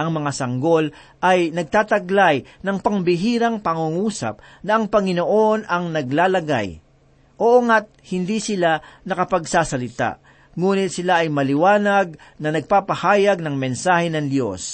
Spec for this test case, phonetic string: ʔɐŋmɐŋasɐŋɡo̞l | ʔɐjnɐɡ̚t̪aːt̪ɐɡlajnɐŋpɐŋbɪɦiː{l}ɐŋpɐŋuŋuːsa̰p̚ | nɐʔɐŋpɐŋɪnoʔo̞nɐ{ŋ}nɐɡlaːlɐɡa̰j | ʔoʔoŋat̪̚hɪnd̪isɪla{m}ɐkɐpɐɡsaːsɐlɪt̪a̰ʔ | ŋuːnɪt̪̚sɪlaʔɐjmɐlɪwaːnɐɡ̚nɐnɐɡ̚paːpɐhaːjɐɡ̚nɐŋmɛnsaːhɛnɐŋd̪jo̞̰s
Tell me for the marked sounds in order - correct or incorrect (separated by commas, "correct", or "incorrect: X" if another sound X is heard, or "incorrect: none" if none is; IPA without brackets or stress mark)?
incorrect: ɾ, correct, incorrect: n